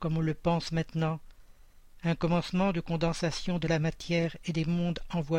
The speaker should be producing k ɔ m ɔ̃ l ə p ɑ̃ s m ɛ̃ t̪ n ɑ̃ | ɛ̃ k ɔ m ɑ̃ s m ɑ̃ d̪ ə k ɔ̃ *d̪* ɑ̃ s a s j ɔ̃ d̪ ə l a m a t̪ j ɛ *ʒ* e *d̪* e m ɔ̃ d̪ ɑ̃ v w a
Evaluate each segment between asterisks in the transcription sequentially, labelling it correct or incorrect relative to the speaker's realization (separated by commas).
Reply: correct, incorrect, correct